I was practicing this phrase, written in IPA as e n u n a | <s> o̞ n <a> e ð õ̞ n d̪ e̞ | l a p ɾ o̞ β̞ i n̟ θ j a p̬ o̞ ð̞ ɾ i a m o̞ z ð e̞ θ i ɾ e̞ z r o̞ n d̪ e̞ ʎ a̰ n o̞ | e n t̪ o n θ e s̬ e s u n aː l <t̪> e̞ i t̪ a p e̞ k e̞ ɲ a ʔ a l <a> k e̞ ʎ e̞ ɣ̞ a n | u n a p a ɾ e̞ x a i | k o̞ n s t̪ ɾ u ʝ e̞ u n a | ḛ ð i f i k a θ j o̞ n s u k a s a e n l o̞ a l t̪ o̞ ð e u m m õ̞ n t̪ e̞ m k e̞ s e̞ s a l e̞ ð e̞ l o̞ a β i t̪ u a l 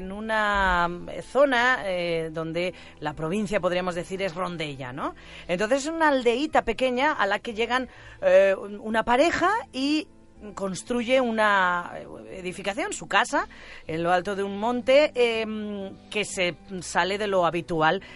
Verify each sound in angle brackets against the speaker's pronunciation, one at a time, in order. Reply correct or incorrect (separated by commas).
incorrect, correct, incorrect, correct